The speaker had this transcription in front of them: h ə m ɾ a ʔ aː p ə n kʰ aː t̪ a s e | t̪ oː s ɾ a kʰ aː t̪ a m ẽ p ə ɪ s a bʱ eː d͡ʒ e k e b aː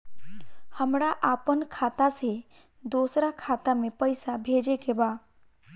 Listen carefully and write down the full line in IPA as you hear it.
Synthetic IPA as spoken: h ə m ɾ a ʔ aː p ə n kʰ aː t̪ a s e | d̪ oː s ɾ a kʰ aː t̪ a m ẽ p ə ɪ s a bʱ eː d͡ʒ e k e b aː